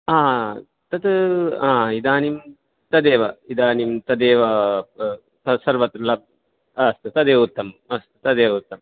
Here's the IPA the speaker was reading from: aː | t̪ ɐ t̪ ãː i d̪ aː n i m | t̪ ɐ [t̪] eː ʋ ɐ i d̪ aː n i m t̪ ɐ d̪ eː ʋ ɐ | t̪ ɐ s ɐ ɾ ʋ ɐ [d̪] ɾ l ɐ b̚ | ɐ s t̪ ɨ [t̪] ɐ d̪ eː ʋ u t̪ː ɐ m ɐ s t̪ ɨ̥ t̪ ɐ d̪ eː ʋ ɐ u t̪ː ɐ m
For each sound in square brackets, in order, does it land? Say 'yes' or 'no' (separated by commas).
no, no, yes